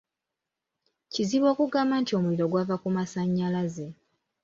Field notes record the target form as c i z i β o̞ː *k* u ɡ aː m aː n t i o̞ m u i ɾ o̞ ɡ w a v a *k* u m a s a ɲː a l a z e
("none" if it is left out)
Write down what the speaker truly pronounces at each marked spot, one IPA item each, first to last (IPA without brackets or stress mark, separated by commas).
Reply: k, k